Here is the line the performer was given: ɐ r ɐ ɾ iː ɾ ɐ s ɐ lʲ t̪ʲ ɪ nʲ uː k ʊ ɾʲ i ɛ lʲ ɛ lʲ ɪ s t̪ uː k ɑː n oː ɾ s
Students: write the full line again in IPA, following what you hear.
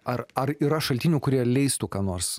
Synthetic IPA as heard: ɐ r ɐ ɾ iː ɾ ɐ ʃ ɐ lʲ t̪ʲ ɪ nʲ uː k ʊ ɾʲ i ɛ lʲ ɛ ɪ s t̪ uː k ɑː n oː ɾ s

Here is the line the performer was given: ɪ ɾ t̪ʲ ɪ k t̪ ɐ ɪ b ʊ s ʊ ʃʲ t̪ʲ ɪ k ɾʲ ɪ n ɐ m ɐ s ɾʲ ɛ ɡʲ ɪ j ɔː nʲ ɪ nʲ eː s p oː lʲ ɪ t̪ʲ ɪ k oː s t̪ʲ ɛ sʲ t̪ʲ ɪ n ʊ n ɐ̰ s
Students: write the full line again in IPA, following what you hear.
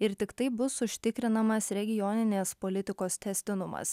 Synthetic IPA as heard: ɪ ɾ t̪ʲ ɪ k t̪ ɐ ɪ b ʊ s ʊ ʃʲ t̪ʲ ɪ k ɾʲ ɪ n ɐ m ɐ s ɾʲ ɛ ɡʲ ɪ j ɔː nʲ ɪ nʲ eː s p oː lʲ ɪ t̪ʲ ɪ k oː s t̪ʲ ɛ sʲ t̪ʲ ɪ n ʊ m ɐ̰ s

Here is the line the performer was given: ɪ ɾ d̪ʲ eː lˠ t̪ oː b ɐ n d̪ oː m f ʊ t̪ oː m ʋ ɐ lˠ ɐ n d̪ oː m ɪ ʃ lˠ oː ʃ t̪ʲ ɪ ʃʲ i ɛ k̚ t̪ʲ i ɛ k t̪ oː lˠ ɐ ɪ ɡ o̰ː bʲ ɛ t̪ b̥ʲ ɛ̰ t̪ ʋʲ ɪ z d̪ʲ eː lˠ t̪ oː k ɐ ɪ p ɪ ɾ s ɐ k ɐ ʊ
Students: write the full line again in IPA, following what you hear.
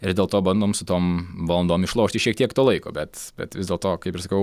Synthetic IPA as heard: ɪ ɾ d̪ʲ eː lˠ t̪ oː b ɐ n d̪ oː m s ʊ t̪ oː m ʋ ɐ lˠ ɐ n d̪ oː m ɪ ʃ lˠ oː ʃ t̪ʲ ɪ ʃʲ i ɛ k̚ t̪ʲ i ɛ k t̪ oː lˠ ɐ ɪ k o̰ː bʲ ɛ t̪ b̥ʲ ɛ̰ t̪ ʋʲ ɪ z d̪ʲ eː lˠ t̪ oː k ɐ ɪ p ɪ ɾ s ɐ k ɐ ʊ

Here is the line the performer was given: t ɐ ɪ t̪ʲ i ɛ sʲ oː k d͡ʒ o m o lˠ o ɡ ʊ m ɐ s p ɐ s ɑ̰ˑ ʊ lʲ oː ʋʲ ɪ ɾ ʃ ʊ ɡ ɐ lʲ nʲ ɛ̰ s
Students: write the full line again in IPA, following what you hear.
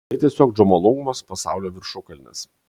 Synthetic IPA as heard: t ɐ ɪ t̪ʲ i ɛ sʲ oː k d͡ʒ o m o lˠ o ɡ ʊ m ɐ s p ɐ s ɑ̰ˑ ʊ lʲ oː ʋʲ ɪ ɾ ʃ ʊ k ɐ lʲ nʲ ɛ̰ s

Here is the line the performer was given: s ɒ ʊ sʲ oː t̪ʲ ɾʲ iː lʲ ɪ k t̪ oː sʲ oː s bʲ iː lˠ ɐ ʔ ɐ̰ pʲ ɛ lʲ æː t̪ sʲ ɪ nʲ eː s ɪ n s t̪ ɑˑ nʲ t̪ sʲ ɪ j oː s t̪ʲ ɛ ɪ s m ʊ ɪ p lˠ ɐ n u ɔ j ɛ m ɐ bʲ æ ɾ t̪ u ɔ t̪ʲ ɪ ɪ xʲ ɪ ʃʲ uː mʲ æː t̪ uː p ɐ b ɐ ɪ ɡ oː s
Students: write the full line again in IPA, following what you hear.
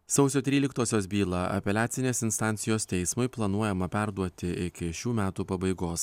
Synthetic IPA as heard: s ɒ ʊ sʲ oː t̪ʲ ɾʲ iː lʲ ɪ k t̪ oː sʲ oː s bʲ iː lˠ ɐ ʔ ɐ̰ pʲ ɛ lʲ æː t̪ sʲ ɪ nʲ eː s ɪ n s t̪ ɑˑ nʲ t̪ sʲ ɪ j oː s t̪ʲ ɛ ɪ s m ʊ ɪ p lˠ ɐ n u ɔ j ɛ m ɐ pʲ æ ɾ d̪ u ɔ t̪ʲ ɪ ɪ kʲ ɪ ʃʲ uː mʲ æː t̪ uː p ɐ b ɐ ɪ ɡ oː s

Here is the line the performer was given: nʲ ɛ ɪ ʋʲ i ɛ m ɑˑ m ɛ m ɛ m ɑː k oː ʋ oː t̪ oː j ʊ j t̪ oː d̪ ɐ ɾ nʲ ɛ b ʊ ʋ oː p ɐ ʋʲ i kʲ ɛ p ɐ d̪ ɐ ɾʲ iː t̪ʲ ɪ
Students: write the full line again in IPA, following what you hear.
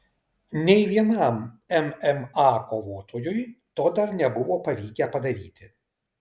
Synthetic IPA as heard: nʲ ɛ ɪ ʋʲ i ɛ n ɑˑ m ɛ m ɛ m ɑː k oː ʋ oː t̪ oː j ʊ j t̪ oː d̪ ɐ ɾ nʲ ɛ b ʊ ʋ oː p ɐ ʋʲ iː kʲ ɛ p ɐ d̪ ɐ ɾʲ iː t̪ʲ ɪ

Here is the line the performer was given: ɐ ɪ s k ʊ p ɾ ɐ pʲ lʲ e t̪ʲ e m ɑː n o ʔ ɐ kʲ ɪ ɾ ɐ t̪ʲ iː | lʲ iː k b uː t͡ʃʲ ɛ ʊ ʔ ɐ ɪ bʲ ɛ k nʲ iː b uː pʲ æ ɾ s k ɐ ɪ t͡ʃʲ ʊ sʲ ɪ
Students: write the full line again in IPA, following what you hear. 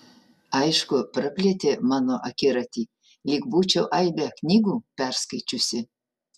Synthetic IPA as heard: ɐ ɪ ʃ k ʊ p ɾ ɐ pʲ lʲ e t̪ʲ e m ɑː n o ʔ ɐ kʲ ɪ ɾ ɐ t̪ʲ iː | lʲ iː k b uː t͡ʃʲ ɛ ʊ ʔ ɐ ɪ bʲ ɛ k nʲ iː ɡ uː pʲ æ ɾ s k ɐ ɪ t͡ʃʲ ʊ sʲ ɪ

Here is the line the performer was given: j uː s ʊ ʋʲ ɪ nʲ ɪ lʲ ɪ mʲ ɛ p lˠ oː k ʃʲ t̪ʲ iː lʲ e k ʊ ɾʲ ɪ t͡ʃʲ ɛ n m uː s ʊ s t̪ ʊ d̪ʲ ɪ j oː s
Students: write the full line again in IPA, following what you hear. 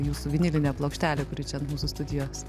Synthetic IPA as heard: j uː s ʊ ʋʲ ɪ nʲ ɪ lʲ ɪ nʲ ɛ p lˠ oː k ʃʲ t̪ʲ æː lʲ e k ʊ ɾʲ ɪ t͡ʃʲ ɛ n m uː s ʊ s t̪ ʊ d̪ʲ ɪ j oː s

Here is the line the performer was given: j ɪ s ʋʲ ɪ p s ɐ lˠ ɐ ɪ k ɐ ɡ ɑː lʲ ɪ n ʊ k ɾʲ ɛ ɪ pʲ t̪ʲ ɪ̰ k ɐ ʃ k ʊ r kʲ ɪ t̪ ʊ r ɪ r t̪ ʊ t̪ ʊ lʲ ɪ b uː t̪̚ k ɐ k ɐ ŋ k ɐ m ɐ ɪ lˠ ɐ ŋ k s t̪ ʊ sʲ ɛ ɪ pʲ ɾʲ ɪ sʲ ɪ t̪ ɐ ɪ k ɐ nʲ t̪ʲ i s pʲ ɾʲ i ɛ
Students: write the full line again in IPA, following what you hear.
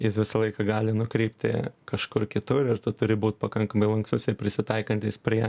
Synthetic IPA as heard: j ɪ s ʋʲ ɪ s ɐ lˠ ɐ ɪ k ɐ ɡ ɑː lʲ ɪ n ʊ k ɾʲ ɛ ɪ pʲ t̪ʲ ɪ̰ k ɐ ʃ k ʊ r kʲ ɪ t̪ ʊ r ɪ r t̪ ʊ t̪ ʊ ɾʲ ɪ b uː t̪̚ p ɐ k ɐ ŋ k ɐ m ɐ ɪ lˠ ɐ ŋ k s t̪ ʊ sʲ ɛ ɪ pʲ ɾʲ ɪ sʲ ɪ t̪ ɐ ɪ k ɐ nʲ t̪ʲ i s pʲ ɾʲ i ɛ

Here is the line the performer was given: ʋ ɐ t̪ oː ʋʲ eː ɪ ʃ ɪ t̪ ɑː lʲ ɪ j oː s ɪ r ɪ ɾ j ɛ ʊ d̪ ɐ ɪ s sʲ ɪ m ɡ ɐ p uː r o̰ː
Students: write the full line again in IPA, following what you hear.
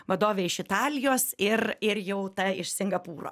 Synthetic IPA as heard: ʋ ɐ d̪ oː ʋʲ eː ɪ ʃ ɪ t̪ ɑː lʲ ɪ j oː s ɪ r ɪ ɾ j ɛ ʊ t̪ ɐ ɪ ʃ sʲ ɪ ŋ ɡ ɐ p uː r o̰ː

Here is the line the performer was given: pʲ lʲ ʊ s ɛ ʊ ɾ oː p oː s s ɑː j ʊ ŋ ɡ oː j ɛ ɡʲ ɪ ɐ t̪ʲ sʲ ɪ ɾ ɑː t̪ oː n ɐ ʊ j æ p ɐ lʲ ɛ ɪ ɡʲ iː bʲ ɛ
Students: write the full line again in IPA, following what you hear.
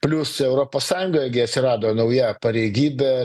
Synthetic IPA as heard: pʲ lʲ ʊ s ɛ ʊ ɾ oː p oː s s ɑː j ʊ ŋ ɡ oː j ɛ ɡʲ ɪ ɐ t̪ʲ sʲ ɪ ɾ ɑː d̪ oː n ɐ ʊ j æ p ɐ ɾʲ ɛ ɪ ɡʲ iː bʲ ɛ

